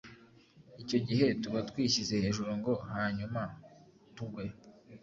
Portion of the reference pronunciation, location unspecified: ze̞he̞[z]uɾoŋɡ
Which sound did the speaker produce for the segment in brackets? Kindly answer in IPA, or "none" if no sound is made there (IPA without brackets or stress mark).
ʒ